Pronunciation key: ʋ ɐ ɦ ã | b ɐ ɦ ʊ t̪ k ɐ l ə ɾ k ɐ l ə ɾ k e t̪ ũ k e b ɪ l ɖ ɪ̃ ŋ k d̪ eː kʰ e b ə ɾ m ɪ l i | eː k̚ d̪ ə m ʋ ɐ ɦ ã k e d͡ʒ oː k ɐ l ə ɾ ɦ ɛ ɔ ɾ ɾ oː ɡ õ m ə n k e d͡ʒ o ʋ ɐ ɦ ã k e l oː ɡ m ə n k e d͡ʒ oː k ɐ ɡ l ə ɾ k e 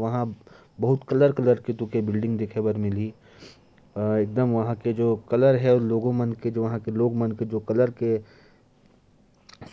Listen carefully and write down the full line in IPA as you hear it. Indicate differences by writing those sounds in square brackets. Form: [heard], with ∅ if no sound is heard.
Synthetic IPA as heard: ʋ ɐ ɦ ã | b ɐ ɦ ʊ t̪ k ɐ l ə ɾ k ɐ l ə ɾ k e t̪ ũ k e b ɪ l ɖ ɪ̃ ŋ [ɡ] d̪ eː kʰ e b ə ɾ m ɪ l i | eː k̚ d̪ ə m ʋ ɐ ɦ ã k e d͡ʒ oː k ɐ l ə ɾ ɦ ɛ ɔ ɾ [l] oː ɡ õ m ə n k e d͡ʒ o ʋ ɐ ɦ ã k e l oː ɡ m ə n k e d͡ʒ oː k ɐ [∅] l ə ɾ k e